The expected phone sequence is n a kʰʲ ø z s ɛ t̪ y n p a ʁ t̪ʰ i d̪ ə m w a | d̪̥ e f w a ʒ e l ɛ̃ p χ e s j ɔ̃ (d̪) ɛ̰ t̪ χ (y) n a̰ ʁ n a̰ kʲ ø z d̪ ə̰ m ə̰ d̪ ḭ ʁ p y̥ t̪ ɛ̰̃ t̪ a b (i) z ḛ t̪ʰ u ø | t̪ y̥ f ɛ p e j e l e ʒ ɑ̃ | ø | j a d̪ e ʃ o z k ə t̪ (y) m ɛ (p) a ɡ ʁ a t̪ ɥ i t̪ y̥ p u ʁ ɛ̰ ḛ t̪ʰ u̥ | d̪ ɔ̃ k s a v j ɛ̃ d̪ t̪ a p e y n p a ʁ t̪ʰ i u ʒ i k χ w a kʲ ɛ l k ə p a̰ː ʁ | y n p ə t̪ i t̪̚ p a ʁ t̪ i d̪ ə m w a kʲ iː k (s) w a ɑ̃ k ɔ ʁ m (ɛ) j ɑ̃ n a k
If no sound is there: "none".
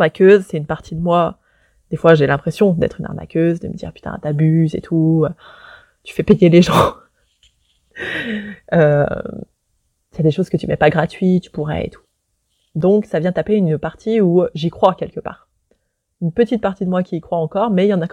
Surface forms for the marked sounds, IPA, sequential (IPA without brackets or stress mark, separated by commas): d̪, y, y, y, p, χ, ɛ